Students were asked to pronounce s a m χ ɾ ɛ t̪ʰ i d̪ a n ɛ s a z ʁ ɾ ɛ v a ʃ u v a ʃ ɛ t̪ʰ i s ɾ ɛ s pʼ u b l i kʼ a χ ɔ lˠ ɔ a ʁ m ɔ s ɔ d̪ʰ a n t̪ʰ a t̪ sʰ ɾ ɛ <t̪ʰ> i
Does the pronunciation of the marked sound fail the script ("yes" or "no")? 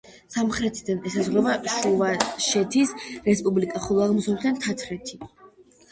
no